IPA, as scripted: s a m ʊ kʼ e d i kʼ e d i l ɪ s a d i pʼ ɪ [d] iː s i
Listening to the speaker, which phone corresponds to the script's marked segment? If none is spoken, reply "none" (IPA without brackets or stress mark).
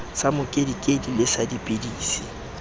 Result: d